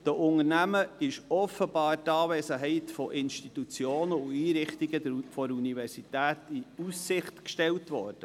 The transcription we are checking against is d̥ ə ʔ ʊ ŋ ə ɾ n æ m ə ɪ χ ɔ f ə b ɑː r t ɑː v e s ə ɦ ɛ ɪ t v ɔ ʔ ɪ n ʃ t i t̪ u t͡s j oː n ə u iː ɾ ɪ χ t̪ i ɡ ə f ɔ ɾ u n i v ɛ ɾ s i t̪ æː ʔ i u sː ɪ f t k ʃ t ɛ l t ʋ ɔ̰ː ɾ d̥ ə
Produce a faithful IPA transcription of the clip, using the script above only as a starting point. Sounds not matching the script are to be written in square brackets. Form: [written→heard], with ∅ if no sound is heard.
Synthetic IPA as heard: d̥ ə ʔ ʊ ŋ ə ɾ n æ m ə ɪ [χ→ʃ] ɔ f ə b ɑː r t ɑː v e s ə ɦ ɛ ɪ t [v→f] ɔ ʔ ɪ n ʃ t i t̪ u t͡s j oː n ə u iː ɾ ɪ χ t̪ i ɡ ə f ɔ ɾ u n i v ɛ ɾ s i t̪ æː [ʔ→t] i u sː ɪ [f→χ] t k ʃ t ɛ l t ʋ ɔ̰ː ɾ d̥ ə